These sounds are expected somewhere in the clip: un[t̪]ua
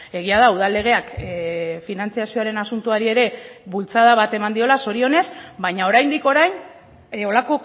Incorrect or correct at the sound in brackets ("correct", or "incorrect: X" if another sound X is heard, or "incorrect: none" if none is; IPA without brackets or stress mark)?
correct